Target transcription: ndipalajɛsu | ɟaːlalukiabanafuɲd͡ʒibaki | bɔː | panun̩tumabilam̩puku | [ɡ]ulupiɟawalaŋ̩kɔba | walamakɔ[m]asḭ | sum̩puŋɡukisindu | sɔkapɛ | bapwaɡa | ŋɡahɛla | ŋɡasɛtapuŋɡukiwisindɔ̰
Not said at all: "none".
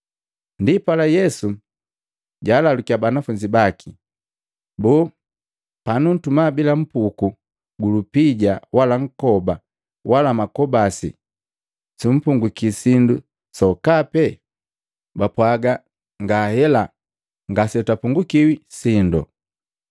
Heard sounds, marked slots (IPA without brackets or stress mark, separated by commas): ɡ, b